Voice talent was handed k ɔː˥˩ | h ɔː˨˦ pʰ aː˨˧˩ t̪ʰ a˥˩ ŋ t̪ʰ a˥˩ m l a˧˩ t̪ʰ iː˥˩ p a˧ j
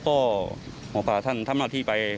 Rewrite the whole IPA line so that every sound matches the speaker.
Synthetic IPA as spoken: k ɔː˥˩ | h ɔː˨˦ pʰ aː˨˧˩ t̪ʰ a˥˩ n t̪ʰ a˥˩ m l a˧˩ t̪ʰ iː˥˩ p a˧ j